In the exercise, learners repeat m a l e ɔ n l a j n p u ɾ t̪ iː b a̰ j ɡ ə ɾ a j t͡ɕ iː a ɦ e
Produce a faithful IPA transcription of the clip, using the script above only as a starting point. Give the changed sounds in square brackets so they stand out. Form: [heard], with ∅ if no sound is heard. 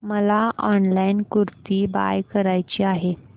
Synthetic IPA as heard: m [ə] l [a] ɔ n l a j n [k] u ɾ t̪ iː b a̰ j [k] ə ɾ a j t͡ɕ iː a ɦ e